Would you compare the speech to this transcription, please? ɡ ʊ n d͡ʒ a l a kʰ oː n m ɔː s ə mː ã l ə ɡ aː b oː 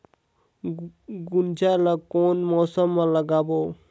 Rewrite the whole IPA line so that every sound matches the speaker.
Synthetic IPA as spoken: ɡ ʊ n d͡ʒ a l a k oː n m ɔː s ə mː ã l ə ɡ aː b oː